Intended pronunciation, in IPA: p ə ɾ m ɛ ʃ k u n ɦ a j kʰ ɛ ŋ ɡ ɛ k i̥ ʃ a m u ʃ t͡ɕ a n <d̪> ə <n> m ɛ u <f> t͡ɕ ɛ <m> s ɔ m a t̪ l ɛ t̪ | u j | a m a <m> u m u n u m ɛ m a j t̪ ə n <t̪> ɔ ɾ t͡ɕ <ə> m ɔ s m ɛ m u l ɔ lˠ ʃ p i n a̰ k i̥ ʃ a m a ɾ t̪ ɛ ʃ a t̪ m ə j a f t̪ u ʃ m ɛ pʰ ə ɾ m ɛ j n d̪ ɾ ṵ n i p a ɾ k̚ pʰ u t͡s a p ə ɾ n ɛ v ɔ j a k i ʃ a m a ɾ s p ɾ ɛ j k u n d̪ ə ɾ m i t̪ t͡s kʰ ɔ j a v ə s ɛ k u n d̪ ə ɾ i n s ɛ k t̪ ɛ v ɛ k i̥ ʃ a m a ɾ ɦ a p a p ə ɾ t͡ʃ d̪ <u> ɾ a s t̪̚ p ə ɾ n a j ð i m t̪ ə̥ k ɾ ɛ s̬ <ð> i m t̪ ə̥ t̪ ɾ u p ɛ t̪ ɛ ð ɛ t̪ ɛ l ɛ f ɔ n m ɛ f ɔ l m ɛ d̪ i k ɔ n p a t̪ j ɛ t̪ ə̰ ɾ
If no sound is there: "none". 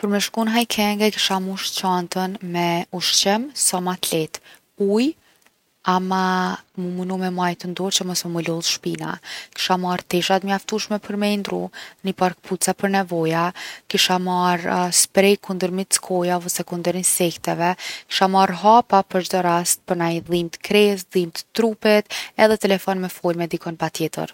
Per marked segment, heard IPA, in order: t̪, n, ʃ, m, m, d̪, ə, ɔ, ð

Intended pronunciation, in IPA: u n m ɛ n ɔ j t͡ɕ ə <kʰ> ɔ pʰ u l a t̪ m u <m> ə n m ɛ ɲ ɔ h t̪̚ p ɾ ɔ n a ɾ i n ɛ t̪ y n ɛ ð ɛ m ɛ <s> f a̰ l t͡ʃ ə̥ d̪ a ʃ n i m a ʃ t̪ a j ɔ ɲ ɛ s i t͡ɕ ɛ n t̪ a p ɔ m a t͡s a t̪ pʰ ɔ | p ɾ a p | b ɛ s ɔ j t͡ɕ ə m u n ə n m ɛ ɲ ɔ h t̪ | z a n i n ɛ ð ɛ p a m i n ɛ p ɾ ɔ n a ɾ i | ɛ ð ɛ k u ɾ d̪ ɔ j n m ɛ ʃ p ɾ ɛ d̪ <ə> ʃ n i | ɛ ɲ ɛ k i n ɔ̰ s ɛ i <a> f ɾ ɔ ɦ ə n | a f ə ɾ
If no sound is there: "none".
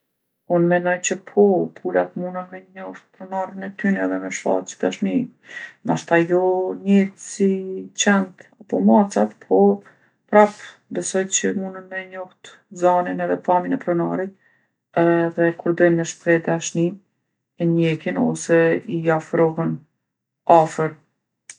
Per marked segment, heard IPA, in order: pʰ, n, ʃ, a, a

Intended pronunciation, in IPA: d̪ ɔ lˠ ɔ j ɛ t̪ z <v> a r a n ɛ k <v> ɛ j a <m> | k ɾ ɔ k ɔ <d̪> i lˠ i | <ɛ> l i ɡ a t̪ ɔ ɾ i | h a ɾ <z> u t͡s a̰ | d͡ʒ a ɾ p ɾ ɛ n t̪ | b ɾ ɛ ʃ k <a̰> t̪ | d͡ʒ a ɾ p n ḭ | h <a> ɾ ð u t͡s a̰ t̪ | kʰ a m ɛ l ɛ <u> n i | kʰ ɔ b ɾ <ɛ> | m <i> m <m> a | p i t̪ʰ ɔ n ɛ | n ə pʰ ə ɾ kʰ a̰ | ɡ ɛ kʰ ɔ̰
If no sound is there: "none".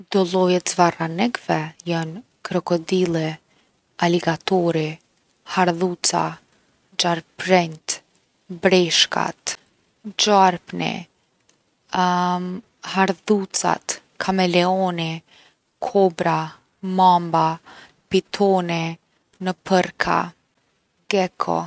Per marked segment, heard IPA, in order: v, v, n, d̪, a, ð, a̰, a, ɔ, a, a, b

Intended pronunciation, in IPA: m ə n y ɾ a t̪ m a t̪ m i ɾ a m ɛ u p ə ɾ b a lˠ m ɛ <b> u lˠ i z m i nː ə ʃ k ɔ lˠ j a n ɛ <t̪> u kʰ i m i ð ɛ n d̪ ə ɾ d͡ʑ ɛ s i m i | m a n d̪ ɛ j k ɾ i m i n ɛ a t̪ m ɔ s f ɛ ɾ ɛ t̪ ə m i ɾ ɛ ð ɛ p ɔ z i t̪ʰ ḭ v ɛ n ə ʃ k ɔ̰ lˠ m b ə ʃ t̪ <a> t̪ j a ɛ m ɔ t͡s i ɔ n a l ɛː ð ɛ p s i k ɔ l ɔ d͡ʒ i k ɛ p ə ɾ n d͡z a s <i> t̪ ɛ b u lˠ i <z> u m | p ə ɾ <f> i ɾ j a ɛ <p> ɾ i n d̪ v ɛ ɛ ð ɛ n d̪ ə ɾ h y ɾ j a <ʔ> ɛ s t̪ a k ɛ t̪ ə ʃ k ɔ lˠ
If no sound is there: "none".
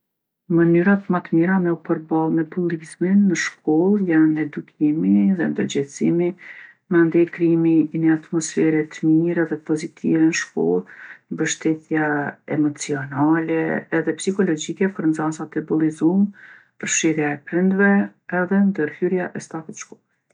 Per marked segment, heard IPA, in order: b, d̪, ɛ, a, z, ʃ, p, ʔ

